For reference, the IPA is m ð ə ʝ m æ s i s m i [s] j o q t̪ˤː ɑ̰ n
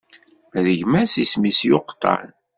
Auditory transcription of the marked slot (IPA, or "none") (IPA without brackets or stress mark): s